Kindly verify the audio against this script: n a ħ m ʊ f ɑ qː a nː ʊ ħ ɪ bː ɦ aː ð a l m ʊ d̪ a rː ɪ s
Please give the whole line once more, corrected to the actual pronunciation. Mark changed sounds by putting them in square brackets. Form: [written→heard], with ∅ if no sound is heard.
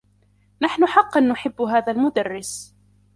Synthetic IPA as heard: n a ħ [m→n] ʊ [f→ħ] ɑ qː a nː ʊ ħ ɪ bː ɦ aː ð a l m ʊ d̪ a rː ɪ s